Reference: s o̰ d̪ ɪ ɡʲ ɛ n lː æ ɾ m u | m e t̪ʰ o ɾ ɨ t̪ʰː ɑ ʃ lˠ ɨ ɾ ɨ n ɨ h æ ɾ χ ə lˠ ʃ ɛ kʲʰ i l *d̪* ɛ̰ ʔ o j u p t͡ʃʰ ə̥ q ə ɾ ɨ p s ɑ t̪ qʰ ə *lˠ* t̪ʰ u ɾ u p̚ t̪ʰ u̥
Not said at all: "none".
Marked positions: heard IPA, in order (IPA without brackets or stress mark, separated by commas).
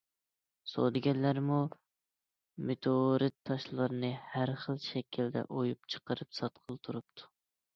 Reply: d̪, lˠ